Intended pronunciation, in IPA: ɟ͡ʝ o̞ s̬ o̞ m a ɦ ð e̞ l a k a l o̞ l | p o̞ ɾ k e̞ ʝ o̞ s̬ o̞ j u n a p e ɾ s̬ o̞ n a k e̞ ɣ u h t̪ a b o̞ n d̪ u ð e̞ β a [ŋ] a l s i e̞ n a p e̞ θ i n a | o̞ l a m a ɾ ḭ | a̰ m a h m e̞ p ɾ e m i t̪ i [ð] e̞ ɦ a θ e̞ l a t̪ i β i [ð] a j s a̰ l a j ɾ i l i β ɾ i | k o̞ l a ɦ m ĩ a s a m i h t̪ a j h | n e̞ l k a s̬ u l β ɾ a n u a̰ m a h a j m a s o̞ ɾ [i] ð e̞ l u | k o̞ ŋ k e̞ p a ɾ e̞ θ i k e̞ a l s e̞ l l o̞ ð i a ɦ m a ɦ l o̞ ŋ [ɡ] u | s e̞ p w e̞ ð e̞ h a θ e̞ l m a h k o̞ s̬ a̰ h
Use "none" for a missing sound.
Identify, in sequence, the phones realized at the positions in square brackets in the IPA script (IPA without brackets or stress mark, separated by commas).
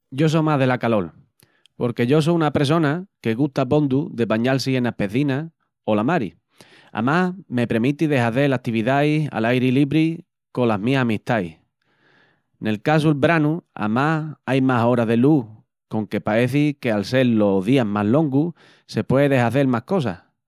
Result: ɲ, ð, ð, a, ɡ